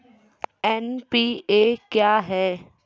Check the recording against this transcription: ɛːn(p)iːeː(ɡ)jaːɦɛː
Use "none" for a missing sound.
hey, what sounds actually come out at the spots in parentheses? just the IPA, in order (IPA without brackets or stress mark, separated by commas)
p, k